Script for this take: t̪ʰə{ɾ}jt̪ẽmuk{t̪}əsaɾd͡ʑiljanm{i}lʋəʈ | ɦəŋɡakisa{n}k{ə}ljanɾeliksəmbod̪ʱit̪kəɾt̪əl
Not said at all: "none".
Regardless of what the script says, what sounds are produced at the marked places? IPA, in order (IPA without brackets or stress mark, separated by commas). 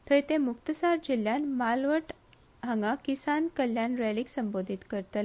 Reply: none, t̪, a, n, ə